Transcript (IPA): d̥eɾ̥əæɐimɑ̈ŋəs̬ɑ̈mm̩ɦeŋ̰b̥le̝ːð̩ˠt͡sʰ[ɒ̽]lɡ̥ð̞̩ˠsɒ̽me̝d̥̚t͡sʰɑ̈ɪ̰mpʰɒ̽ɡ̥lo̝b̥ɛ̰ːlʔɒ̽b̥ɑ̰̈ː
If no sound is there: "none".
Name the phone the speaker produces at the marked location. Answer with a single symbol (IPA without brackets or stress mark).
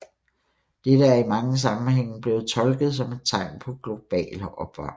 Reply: ɒ̽